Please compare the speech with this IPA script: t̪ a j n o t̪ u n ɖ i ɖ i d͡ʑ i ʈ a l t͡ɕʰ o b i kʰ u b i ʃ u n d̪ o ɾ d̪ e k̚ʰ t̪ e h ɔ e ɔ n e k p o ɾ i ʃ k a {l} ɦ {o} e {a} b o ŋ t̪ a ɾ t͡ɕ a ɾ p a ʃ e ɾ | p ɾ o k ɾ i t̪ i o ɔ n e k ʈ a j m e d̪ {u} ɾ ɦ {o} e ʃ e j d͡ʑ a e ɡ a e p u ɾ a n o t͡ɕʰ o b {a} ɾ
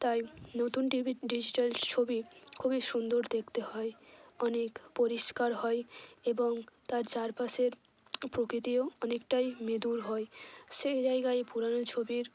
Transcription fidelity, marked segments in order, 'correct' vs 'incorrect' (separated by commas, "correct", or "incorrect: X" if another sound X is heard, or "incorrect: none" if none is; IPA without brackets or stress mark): incorrect: ɾ, incorrect: ɔ, incorrect: e, correct, incorrect: ɔ, incorrect: i